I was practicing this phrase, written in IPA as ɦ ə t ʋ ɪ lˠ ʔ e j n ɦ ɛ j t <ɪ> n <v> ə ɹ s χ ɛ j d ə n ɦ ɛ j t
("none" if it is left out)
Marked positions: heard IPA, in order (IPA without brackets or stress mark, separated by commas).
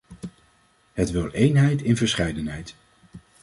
ɪ, v